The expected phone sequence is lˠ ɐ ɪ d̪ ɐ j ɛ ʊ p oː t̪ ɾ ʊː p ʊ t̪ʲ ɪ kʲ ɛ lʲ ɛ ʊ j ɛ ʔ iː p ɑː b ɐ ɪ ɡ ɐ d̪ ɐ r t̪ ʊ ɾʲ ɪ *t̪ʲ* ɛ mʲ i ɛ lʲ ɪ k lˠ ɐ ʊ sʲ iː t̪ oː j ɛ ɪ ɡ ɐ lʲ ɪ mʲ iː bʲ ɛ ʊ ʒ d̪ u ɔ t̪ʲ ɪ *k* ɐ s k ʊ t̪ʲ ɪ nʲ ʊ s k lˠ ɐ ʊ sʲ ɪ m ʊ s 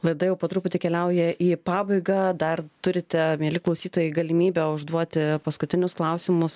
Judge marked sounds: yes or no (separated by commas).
yes, no